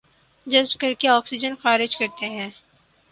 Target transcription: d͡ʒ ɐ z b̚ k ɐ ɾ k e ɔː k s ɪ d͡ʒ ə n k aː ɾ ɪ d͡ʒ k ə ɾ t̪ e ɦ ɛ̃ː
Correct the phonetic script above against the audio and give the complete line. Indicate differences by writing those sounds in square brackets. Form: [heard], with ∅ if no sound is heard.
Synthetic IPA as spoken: d͡ʒ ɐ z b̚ k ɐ ɾ k e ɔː k s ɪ d͡ʒ ə n [x] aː ɾ ɪ d͡ʒ k [ɐ] ɾ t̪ e ɦ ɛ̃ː